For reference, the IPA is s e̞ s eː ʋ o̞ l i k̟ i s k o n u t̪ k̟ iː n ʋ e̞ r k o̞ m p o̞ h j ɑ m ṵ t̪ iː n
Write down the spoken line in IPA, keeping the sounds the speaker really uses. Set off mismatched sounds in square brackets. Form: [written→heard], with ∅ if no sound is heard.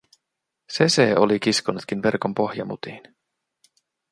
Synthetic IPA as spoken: s e̞ s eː [ʋ→∅] o̞ l i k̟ i s k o n u t̪ k̟ [iː→i] n ʋ e̞ r k o̞ m p o̞ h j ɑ m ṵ t̪ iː n